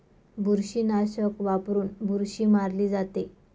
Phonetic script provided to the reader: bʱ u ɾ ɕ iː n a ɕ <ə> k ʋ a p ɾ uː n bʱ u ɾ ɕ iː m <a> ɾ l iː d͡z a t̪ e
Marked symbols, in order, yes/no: yes, yes

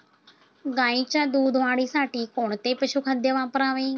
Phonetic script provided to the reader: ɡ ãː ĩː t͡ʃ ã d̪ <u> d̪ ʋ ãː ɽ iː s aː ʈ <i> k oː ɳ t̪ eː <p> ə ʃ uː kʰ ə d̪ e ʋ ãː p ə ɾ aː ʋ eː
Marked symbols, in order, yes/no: no, no, yes

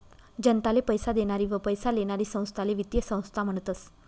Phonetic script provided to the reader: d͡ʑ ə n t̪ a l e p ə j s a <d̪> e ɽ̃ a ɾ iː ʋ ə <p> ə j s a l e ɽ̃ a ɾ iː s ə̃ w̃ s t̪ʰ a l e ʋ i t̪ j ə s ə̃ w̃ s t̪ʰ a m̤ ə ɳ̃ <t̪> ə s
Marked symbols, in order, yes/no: yes, yes, yes

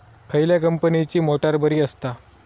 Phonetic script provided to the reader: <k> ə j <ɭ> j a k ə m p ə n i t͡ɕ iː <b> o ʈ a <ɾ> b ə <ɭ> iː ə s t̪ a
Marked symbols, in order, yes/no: no, no, no, yes, no

